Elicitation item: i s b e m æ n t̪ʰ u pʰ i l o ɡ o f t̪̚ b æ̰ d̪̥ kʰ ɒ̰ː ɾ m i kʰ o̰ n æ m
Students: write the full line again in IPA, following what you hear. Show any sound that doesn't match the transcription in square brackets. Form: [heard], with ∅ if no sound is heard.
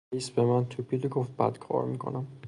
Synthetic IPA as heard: i s b e m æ n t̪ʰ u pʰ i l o ɡ o f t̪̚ b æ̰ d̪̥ kʰ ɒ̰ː ɾ m i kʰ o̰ n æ m